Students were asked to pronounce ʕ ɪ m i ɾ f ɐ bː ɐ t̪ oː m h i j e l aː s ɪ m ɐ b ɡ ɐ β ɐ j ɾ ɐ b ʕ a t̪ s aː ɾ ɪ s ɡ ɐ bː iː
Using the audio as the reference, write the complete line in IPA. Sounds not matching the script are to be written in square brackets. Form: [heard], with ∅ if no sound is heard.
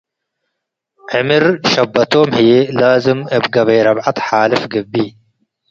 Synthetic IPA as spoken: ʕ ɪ m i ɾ [ʃ] ɐ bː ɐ t̪ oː m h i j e l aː [z] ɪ m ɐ b ɡ ɐ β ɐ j ɾ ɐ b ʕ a t̪ [ħ] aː [l] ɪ [f] ɡ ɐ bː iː